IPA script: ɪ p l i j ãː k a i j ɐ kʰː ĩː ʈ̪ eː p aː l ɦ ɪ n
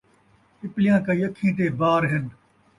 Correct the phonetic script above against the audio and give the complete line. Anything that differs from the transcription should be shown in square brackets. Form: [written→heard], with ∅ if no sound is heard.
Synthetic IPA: ɪ p l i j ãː k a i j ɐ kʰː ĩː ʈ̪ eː [p→b] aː [l→ɾ] ɦ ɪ n